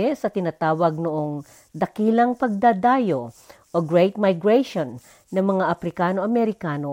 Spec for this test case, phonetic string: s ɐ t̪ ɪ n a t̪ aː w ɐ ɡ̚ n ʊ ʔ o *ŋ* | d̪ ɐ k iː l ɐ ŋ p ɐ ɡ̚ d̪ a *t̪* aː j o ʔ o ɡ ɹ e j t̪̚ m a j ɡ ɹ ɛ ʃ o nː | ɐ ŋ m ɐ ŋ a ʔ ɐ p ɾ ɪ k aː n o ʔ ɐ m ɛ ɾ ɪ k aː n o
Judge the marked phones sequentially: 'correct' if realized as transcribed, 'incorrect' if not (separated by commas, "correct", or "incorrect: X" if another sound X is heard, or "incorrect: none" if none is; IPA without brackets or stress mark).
correct, incorrect: d̪